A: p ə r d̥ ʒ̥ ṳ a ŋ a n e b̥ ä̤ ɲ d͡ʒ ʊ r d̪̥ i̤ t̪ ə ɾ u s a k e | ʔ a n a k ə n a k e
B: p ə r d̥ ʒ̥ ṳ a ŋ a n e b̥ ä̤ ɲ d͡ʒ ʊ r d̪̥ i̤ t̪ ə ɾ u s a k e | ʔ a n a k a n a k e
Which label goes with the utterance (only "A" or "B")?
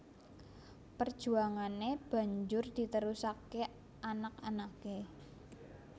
B